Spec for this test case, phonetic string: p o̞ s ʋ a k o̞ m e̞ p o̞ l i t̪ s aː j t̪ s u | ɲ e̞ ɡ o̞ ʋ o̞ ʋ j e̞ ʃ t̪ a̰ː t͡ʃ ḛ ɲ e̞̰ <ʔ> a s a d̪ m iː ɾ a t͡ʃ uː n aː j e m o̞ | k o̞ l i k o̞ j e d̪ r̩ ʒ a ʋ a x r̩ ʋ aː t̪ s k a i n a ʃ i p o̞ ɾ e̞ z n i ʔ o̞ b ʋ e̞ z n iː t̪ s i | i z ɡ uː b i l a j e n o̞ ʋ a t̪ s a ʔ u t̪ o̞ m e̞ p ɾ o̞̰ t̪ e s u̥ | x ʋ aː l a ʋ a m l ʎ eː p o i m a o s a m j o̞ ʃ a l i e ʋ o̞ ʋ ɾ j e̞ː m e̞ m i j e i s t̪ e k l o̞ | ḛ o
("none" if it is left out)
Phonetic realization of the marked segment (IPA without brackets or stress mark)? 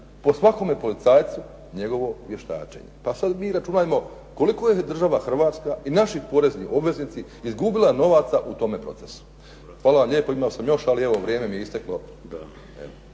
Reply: p